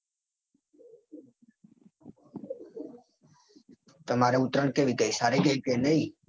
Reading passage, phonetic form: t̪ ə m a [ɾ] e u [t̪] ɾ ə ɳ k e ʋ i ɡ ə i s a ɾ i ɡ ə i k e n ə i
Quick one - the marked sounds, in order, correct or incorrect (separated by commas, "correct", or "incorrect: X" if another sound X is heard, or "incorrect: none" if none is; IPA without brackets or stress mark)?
correct, correct